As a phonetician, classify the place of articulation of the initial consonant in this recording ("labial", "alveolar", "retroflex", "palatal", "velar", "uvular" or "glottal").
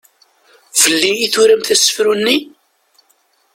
labial